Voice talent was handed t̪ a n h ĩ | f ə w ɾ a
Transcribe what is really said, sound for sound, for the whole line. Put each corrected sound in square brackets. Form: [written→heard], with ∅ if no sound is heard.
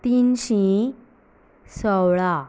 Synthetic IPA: t̪ [a→i] n [h→ɕ] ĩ | [f→s] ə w [ɾ→ɭ] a